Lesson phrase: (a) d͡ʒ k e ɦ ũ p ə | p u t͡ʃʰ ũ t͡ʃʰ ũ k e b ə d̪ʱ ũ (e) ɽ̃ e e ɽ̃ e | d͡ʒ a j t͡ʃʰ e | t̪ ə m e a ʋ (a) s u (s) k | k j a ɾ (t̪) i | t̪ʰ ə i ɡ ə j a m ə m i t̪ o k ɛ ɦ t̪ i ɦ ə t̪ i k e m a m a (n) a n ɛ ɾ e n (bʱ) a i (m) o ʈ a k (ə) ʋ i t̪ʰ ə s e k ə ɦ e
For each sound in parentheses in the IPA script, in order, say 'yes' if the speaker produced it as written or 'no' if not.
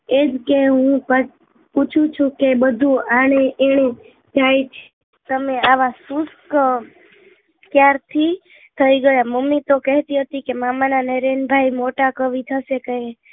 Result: no, no, yes, yes, no, yes, yes, yes, yes

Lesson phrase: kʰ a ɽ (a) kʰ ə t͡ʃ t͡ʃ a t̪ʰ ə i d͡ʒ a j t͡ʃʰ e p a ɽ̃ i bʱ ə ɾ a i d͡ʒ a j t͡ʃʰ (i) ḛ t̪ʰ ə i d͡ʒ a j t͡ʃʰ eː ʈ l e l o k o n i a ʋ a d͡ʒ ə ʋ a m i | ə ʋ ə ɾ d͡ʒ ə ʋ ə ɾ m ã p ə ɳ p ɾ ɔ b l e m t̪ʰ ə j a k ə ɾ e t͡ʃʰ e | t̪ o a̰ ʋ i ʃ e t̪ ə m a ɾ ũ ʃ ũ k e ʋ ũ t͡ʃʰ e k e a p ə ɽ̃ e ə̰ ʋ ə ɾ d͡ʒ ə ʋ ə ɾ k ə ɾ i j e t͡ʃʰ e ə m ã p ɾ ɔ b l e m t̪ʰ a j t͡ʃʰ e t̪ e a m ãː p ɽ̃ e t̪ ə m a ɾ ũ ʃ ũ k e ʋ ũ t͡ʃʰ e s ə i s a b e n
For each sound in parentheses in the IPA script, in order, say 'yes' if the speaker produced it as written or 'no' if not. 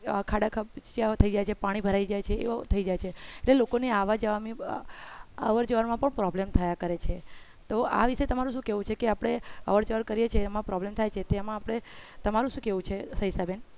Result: yes, no

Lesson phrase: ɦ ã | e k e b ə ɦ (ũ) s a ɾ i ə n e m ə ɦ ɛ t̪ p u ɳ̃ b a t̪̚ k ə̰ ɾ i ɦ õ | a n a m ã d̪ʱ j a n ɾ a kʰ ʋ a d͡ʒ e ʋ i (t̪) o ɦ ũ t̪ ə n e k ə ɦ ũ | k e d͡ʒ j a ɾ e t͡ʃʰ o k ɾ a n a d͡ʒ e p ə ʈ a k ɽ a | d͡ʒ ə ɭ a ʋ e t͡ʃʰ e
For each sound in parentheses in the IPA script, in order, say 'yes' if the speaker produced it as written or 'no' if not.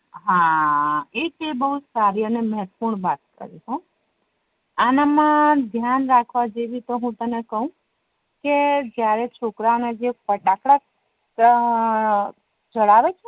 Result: no, yes

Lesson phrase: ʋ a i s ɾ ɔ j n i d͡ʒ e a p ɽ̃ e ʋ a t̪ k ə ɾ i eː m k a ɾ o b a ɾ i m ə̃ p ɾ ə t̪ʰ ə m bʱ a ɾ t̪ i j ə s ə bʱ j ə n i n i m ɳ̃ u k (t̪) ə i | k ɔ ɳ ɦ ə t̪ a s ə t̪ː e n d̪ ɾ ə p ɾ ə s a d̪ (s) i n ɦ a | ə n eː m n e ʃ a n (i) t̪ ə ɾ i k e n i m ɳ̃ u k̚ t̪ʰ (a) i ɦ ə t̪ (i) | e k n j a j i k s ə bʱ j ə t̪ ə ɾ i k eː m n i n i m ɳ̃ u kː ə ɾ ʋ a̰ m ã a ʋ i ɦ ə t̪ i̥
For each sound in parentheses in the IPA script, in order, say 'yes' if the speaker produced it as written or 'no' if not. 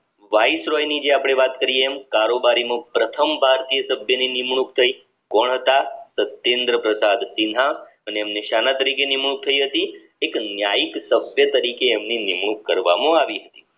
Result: no, yes, no, no, yes

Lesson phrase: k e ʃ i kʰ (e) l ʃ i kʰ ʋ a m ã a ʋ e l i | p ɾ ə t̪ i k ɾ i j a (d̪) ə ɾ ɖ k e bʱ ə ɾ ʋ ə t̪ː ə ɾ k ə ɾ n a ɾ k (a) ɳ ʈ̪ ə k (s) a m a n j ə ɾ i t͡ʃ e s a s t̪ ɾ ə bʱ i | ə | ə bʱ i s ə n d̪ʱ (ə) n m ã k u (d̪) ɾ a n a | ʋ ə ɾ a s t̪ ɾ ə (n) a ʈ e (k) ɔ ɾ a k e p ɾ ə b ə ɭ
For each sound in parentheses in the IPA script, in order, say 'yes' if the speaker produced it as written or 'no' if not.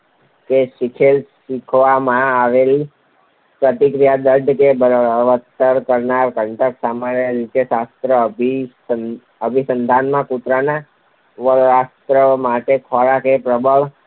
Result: yes, yes, no, yes, no, no, no, no

